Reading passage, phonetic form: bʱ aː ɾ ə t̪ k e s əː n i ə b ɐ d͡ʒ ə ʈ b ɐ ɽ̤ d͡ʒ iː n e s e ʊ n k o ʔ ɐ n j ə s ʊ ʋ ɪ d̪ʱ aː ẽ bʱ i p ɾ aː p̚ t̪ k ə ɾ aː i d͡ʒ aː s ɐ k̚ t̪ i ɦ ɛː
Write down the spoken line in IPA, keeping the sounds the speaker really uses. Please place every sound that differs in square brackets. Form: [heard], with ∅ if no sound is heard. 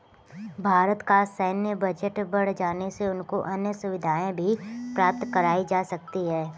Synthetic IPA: bʱ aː ɾ ə t̪ k [a] s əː n [j] ə b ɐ d͡ʒ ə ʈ b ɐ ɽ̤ d͡ʒ [aː] n e s e ʊ n k o ʔ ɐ n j ə s ʊ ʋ ɪ d̪ʱ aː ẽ bʱ i p ɾ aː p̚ t̪ k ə ɾ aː i d͡ʒ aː s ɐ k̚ t̪ i ɦ ɛː